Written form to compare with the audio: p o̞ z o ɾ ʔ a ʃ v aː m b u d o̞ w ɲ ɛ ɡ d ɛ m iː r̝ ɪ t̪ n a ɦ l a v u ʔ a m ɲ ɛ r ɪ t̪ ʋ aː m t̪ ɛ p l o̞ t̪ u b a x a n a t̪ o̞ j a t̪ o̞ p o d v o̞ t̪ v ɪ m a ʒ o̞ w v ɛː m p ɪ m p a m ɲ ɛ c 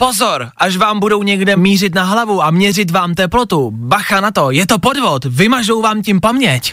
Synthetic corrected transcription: p o̞ z o ɾ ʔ a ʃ v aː m b u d o̞ w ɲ ɛ ɡ d ɛ m iː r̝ ɪ t̪ n a ɦ l a v u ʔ a m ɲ ɛ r ɪ t̪ v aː m t̪ ɛ p l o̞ t̪ u b a x a n a t̪ o̞ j ɛ t̪ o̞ p o d v o̞ t̪ v ɪ m a ʒ o̞ w v aː m c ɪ m p a m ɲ ɛ c